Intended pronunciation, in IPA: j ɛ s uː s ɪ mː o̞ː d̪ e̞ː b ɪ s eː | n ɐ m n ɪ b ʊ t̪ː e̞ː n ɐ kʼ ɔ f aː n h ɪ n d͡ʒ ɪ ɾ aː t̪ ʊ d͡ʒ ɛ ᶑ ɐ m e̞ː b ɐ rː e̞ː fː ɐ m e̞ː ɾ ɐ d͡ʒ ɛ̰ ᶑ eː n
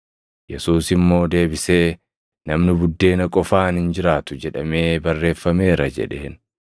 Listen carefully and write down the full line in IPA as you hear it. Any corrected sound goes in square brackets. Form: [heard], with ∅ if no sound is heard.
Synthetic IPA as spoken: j ɛ s uː s ɪ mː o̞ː d̪ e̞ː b ɪ s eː | n ɐ m n ɪ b ʊ [d̪ː] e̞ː n ɐ kʼ ɔ f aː n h ɪ n d͡ʒ ɪ ɾ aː t̪ ʊ d͡ʒ ɛ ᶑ ɐ m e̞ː b ɐ rː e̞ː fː ɐ m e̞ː ɾ ɐ d͡ʒ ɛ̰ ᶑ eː n

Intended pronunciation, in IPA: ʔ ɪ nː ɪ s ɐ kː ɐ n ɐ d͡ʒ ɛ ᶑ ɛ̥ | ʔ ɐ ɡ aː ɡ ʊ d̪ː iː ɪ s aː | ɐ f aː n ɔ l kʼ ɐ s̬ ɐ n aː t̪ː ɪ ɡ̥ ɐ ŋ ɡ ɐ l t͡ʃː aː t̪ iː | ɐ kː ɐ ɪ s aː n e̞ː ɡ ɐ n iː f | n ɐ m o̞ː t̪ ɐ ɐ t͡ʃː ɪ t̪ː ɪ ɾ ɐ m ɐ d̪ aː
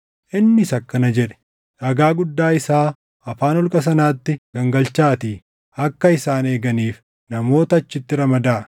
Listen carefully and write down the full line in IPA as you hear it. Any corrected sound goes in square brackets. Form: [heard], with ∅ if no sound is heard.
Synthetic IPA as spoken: ʔ ɪ nː ɪ s ɐ kː ɐ n ɐ d͡ʒ ɛ ᶑ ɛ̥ | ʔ ɐ ɡ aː ɡ ʊ d̪ː [aː] ɪ s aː | ɐ f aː n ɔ l kʼ ɐ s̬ ɐ n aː t̪ː ɪ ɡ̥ ɐ ŋ ɡ ɐ l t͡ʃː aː t̪ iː | ɐ kː ɐ ɪ s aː n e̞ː ɡ ɐ n iː f | n ɐ m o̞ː t̪ ɐ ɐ t͡ʃː ɪ t̪ː ɪ ɾ ɐ m ɐ d̪ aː

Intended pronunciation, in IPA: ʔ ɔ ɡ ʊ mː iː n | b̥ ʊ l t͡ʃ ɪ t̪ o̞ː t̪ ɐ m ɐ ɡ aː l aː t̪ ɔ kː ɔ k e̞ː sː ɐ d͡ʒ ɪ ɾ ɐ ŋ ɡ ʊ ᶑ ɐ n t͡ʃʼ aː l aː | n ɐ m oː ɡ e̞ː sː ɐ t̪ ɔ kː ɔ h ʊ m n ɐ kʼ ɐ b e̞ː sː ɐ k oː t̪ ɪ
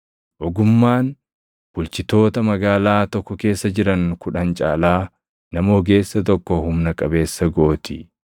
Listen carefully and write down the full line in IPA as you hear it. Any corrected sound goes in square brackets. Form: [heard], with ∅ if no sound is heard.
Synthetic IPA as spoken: ʔ ɔ ɡ ʊ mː [aː] n | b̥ ʊ l t͡ʃ ɪ t̪ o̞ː t̪ ɐ m ɐ ɡ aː l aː t̪ ɔ kː ɔ k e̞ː sː ɐ d͡ʒ ɪ ɾ ɐ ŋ [k] ʊ ᶑ ɐ n t͡ʃʼ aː l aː | n ɐ m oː ɡ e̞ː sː ɐ t̪ ɔ kː ɔ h ʊ m n ɐ kʼ ɐ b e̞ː sː ɐ [ɡ] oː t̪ ɪ

